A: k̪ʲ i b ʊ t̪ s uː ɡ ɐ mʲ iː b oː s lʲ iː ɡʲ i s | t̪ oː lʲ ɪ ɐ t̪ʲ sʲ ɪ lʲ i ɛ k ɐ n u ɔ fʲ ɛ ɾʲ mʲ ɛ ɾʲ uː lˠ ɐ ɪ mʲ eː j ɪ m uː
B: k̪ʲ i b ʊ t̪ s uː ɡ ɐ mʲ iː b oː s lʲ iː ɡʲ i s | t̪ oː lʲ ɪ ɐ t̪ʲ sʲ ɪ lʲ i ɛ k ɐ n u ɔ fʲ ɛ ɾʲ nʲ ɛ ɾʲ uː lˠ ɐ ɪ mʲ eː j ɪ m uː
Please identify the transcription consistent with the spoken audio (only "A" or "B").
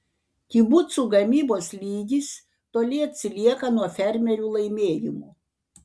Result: A